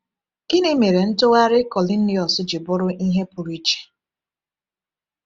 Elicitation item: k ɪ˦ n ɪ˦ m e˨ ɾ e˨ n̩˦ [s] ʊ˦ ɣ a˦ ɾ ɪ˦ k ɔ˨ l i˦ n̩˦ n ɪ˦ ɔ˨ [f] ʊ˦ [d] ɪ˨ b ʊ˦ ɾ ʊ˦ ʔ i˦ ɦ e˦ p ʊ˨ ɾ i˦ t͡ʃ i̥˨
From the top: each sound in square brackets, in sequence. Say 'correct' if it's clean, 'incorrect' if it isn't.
incorrect: t, incorrect: s, incorrect: d͡ʒ

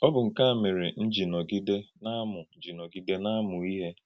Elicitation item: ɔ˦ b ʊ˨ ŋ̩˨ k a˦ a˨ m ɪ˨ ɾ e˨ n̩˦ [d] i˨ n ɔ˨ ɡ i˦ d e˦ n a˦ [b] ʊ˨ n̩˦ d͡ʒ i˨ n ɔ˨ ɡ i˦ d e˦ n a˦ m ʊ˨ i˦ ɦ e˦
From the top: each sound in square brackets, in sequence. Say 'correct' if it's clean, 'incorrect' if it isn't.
incorrect: d͡ʒ, incorrect: m

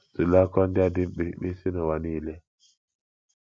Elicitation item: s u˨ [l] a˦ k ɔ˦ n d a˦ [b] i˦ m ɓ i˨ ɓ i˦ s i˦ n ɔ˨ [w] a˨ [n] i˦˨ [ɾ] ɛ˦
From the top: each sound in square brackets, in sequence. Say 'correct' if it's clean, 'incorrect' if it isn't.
correct, incorrect: d, correct, correct, incorrect: l

